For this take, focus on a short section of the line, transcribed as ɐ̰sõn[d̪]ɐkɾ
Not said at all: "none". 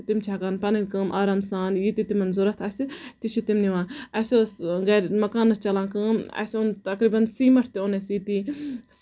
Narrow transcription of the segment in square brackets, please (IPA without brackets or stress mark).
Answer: t̪